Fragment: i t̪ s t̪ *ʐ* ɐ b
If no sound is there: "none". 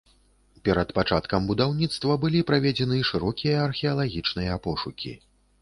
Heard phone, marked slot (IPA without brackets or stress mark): v